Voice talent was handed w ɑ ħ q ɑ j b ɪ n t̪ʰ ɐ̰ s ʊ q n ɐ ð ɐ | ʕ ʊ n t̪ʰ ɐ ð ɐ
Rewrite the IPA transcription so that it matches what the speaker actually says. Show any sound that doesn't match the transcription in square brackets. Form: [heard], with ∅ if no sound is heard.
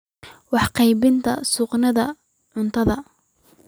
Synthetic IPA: w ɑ ħ q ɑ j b ɪ n t̪ʰ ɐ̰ s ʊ q n ɐ ð ɐ | ʕ ʊ n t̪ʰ ɐ ð ɐ